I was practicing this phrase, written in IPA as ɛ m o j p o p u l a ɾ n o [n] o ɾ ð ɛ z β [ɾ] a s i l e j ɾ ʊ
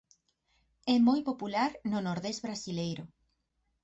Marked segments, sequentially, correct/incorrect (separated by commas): correct, correct